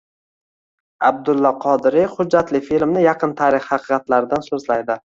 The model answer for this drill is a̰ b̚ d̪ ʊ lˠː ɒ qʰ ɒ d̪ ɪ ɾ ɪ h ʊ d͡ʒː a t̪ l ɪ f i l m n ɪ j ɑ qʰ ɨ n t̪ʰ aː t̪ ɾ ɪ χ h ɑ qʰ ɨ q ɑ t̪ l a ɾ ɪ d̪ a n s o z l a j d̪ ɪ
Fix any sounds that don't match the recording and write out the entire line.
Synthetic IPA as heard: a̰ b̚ d̪ ʊ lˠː ɒ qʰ ɒ d̪ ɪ ɾ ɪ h ʊ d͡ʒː a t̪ l ɪ f i l m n ɪ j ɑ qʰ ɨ n t̪ʰ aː ɾ ɪ χ h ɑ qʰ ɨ q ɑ t̪ l a ɾ ɪ d̪ a n s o z l a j d̪ ɪ